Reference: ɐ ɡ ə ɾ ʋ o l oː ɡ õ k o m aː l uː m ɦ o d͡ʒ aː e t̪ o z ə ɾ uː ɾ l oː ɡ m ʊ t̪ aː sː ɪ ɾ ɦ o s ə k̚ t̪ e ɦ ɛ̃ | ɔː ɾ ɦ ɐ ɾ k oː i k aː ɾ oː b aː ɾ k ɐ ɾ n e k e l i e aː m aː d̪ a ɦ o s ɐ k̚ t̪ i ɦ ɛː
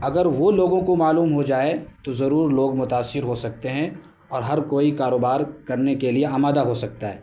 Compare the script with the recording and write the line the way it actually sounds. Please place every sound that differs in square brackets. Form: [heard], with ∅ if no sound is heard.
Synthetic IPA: ɐ ɡ ə ɾ ʋ o l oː ɡ õ k o m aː l uː m ɦ o d͡ʒ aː e t̪ o z [ɐ] ɾ uː ɾ l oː ɡ m ʊ t̪ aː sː ɪ ɾ ɦ o s [ɐ] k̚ t̪ e ɦ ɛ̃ | ɔː ɾ ɦ ɐ ɾ k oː i k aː ɾ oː b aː ɾ k ɐ ɾ n e k e l i e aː m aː d̪ a ɦ o s ɐ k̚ t̪ [a] ɦ ɛː